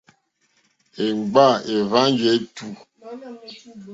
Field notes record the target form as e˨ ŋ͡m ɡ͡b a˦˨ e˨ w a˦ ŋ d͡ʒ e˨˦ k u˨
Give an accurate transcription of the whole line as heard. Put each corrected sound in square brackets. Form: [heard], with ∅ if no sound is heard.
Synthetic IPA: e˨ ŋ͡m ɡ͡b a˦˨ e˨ [v] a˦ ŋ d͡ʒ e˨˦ [t] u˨